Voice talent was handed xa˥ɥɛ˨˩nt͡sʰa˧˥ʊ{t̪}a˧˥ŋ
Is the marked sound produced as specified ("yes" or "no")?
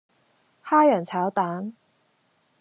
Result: yes